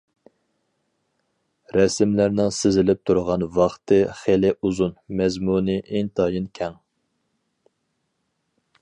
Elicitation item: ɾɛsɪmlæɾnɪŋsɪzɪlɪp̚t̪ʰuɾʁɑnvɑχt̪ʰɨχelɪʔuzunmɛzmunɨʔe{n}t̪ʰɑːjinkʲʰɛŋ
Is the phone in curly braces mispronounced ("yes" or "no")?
yes